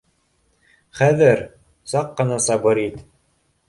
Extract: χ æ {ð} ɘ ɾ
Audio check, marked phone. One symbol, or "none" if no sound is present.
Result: ð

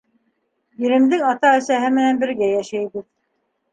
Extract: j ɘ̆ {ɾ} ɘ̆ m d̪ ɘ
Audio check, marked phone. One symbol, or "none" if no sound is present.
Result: ɾ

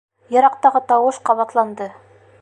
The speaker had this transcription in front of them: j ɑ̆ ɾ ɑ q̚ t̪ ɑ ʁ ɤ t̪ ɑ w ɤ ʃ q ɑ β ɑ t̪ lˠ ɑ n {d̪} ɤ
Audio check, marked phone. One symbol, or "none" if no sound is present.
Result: d̪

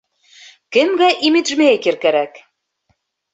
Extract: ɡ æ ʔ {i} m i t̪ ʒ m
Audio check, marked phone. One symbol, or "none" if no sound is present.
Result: i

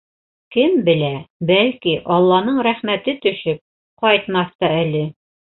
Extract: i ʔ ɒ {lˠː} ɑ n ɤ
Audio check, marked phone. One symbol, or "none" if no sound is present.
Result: lˠː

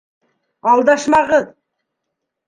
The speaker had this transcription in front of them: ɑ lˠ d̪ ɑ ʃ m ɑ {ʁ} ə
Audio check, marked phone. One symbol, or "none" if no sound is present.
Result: ʁ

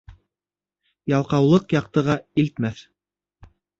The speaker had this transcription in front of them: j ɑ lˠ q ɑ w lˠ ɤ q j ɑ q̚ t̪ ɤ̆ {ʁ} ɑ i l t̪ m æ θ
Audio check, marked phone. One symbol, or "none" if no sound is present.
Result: ʁ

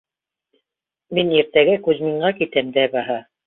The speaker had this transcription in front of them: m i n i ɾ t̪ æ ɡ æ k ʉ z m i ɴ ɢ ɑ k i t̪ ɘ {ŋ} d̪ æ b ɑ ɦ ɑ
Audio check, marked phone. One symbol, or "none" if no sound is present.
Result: m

